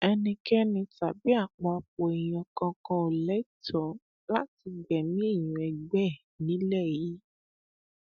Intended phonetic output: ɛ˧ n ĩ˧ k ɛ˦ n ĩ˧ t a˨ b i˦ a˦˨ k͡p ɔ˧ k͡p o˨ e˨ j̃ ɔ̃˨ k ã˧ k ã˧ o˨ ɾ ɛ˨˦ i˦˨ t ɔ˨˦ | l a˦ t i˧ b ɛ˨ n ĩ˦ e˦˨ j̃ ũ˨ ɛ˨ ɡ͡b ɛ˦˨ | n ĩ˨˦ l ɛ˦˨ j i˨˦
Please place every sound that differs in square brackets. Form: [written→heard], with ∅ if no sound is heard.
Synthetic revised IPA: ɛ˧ n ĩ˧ k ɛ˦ n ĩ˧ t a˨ b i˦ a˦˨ k͡p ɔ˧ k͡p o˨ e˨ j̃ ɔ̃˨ k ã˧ k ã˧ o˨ [ɾ→l] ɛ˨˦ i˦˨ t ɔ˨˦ | l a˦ t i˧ [b→ɡ͡b] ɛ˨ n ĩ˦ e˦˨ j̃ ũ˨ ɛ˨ ɡ͡b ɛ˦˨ | n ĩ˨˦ l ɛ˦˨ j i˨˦